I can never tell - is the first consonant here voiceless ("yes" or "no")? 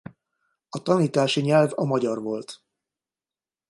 yes